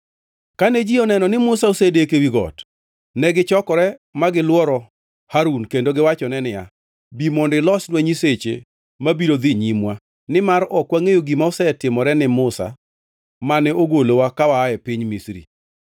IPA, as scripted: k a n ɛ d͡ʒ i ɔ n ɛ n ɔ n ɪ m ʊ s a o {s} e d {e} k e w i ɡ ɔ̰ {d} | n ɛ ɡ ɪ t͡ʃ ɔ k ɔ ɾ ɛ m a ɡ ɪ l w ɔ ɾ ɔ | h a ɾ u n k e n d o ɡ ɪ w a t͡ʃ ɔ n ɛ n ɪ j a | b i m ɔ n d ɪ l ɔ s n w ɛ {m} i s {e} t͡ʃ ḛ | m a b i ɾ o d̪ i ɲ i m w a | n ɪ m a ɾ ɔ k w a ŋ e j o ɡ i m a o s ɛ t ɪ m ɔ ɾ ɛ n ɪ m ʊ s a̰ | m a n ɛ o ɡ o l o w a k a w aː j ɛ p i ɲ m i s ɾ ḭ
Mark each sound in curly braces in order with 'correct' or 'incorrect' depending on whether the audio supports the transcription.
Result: correct, correct, incorrect, incorrect, correct

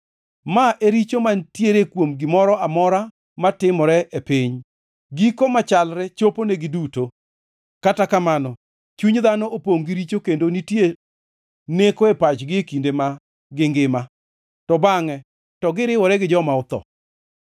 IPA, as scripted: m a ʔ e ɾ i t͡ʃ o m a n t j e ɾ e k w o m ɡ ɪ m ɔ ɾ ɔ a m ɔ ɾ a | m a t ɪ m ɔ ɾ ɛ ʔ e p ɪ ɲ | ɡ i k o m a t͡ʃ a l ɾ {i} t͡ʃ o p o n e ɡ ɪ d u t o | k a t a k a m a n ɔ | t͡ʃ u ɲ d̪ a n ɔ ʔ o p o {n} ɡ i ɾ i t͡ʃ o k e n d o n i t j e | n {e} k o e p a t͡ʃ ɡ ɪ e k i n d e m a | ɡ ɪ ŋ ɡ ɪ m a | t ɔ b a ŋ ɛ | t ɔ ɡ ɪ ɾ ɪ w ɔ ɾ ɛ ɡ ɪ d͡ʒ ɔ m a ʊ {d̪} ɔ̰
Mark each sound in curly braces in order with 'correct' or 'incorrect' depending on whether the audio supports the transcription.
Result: incorrect, incorrect, correct, incorrect

